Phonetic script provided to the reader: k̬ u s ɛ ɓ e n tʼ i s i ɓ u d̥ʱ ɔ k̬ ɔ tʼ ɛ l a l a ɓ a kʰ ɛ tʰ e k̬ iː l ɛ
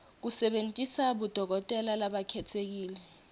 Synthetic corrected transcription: k̬ u s ɛ ɓ e n tʼ i s a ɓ u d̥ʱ ɔ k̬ ɔ tʼ ɛ l a l a ɓ a kʰ ɛ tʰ e k̬ iː l ɛ